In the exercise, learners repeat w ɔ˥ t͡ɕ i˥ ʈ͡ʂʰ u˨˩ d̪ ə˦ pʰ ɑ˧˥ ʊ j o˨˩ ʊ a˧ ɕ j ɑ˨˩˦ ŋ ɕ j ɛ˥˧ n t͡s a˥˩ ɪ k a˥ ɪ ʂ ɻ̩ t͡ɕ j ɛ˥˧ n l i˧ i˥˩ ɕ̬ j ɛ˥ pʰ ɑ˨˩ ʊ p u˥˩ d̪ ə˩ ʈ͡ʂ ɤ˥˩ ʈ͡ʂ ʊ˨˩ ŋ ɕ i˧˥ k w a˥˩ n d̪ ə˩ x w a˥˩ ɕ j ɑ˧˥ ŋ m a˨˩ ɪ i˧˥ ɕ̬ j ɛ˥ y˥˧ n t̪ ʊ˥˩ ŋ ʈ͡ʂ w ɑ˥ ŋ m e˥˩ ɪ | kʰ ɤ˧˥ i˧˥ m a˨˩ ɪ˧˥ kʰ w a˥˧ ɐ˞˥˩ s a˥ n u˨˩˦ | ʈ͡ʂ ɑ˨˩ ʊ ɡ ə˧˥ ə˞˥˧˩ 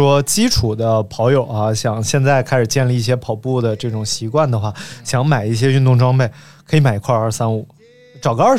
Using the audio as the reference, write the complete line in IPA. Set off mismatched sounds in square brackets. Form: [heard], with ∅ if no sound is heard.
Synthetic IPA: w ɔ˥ t͡ɕ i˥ ʈ͡ʂʰ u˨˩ d̪ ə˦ pʰ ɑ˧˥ ʊ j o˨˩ ʊ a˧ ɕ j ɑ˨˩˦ ŋ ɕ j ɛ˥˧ n t͡s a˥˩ ɪ [kʰ] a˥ ɪ ʂ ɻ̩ t͡ɕ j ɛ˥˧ n l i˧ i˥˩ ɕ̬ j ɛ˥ pʰ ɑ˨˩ ʊ p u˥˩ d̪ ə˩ ʈ͡ʂ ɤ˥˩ ʈ͡ʂ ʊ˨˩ ŋ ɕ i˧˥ k w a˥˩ n d̪ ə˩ x w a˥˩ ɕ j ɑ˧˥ ŋ m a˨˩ ɪ [i˥˩] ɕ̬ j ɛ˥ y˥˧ n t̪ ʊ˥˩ ŋ ʈ͡ʂ w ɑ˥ ŋ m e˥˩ ɪ | kʰ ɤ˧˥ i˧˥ m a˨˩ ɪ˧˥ kʰ w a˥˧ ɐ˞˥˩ s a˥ n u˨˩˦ | ʈ͡ʂ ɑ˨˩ ʊ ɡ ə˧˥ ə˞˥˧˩